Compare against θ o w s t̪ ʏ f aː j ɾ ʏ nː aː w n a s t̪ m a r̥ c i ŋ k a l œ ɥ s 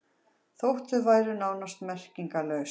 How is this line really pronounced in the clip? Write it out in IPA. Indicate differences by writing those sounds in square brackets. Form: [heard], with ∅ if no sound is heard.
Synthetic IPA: θ o w [h] t̪ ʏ [v] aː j ɾ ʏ [n] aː w n a s t̪ m [ɛ] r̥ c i ŋ k a l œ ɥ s